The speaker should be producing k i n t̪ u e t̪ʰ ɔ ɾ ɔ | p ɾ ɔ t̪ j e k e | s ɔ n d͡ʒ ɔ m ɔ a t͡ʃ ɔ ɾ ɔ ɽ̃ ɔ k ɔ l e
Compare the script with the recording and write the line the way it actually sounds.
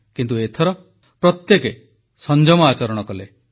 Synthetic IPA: k i n t̪ u e t̪ʰ ɔ ɾ ɔ | p ɾ ɔ t̪ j e k e | s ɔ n d͡ʒ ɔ m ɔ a t͡ʃ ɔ ɾ ɔ ɽ̃ ɔ k ɔ l e